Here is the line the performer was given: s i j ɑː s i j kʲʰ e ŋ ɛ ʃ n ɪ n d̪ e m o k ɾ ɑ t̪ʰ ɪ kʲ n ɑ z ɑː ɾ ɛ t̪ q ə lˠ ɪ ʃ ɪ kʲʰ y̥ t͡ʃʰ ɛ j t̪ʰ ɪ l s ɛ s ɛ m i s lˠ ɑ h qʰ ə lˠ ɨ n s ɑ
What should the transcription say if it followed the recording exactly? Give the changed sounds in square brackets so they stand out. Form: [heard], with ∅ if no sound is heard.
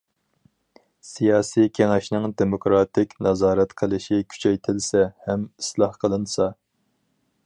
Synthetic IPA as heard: s i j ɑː s i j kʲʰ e ŋ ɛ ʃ n ɪ [ŋ] d̪ e m o k ɾ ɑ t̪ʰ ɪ kʲ n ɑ z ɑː ɾ ɛ t̪ [qʰ] ə lˠ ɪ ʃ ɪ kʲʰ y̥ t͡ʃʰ ɛ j t̪ʰ ɪ l s ɛ [h] ɛ m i s lˠ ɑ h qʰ ə lˠ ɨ n s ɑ